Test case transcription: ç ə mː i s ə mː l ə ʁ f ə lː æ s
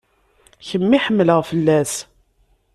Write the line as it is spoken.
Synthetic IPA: ç ə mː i ħ ə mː l ə ʁ f ə lː æ s